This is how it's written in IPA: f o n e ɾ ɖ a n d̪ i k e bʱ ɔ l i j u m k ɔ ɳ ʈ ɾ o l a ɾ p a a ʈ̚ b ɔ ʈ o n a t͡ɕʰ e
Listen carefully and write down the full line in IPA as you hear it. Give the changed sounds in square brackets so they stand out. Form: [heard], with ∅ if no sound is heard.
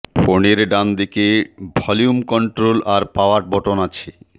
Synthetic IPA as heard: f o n e ɾ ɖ a n d̪ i k e bʱ ɔ l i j u m k ɔ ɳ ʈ ɾ o l a ɾ p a a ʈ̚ b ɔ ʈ o n a t͡ɕʰ e